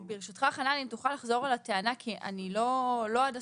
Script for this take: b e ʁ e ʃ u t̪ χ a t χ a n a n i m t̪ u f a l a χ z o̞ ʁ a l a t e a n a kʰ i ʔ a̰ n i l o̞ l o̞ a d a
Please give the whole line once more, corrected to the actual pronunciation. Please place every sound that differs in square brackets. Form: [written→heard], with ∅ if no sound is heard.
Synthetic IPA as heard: b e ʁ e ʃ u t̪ χ a [t→∅] χ a n a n i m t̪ u [f→χ] a l a χ z o̞ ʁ a l a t e a n a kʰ i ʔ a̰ n i l o̞ l o̞ a d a